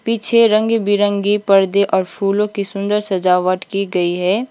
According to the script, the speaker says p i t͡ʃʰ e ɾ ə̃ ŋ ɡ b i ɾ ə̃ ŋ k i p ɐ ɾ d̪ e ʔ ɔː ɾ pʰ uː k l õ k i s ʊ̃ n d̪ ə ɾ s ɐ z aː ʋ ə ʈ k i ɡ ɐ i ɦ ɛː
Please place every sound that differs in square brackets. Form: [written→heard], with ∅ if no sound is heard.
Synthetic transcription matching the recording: p i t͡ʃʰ e ɾ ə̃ ŋ ɡ b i ɾ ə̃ ŋ [k→ɡ] i p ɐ ɾ d̪ e ʔ ɔː ɾ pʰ uː [k→∅] l õ k i s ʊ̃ n d̪ ə ɾ s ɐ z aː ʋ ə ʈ k i ɡ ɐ i ɦ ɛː